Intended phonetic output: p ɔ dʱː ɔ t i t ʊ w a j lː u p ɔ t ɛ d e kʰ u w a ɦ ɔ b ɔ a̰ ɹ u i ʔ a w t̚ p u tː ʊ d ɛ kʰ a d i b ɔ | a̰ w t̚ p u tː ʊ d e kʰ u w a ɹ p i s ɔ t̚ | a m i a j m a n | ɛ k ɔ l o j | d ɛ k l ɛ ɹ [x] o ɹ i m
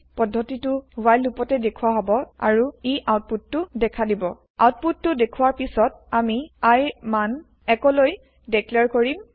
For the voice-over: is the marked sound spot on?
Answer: no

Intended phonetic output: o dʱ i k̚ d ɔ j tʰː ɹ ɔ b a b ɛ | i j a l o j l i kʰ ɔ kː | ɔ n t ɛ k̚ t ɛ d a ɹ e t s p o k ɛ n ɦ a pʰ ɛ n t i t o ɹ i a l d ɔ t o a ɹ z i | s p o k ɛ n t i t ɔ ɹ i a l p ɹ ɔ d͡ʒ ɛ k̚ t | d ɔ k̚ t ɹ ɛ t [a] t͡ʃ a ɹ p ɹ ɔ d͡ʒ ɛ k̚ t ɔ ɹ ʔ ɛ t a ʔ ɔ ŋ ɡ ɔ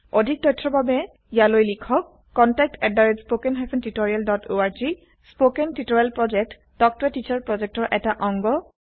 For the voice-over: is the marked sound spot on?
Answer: no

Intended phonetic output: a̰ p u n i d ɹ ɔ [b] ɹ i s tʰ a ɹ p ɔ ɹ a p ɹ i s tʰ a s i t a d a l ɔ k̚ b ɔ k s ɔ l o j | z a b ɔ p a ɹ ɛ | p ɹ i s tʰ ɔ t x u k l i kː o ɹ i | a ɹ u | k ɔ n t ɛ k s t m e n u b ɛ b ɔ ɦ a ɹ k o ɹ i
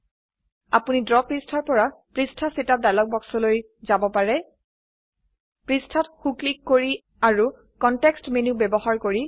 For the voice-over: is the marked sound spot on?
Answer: no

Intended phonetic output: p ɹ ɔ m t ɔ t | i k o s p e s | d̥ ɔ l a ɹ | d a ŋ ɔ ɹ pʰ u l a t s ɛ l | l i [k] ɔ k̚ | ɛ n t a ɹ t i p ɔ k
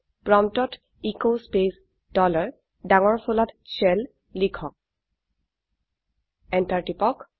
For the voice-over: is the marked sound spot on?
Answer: no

